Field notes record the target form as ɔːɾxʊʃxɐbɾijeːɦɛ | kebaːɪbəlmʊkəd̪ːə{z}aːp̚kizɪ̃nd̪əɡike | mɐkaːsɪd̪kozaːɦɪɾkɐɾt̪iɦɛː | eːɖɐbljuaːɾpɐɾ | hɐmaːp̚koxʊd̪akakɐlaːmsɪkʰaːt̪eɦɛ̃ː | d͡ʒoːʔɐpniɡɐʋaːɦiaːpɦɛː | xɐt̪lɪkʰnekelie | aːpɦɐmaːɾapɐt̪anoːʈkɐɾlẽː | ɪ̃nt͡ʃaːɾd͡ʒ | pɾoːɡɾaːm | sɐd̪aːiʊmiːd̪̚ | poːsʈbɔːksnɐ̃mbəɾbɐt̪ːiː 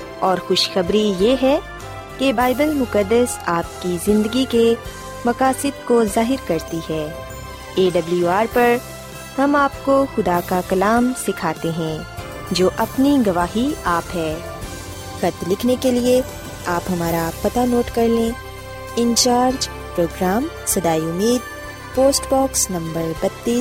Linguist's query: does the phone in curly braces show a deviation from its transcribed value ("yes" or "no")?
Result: yes